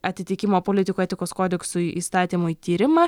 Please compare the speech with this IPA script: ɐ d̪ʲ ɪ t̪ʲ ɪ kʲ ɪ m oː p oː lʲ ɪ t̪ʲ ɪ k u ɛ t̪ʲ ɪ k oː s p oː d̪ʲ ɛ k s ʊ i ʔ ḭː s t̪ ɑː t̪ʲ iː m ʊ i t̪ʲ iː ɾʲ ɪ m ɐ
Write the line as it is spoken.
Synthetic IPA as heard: ɐ t̪ʲ ɪ t̪ʲ ɪ kʲ ɪ m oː p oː lʲ ɪ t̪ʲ ɪ k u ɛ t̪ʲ ɪ k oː s k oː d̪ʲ ɛ k s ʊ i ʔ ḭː s t̪ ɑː t̪ʲ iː m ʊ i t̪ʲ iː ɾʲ ɪ m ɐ